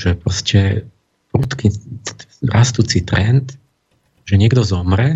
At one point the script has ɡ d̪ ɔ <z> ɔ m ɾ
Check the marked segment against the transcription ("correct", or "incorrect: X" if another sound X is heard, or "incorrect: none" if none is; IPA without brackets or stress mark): correct